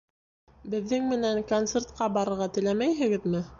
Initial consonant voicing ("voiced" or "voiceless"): voiced